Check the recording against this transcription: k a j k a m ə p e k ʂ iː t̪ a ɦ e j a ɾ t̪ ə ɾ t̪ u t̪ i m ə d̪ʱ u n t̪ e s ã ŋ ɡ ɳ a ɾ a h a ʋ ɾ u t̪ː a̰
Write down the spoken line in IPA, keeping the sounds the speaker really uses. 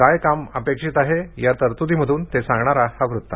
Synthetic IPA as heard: k a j k a m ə p e k ʂ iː t̪ a ɦ e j a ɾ t̪ ə ɾ t̪ u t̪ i m ə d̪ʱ uː n t̪ e s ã ŋ ɡ ɳ a ɾ a h a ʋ ɾ u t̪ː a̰